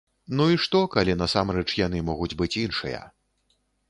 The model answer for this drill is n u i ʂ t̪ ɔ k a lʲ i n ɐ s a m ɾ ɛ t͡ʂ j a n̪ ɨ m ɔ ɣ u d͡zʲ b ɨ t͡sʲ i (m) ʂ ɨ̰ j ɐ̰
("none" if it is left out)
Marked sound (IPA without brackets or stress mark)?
n